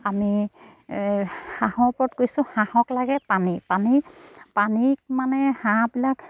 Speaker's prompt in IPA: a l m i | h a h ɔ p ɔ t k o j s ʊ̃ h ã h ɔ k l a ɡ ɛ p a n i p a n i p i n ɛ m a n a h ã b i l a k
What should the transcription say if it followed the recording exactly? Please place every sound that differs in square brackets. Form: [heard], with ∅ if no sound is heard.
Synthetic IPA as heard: a [∅] m i | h a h ɔ p ɔ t k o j s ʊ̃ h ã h ɔ k l a ɡ ɛ p a n i p a n i p [a] n [i] m a n [ɛ] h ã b i l a k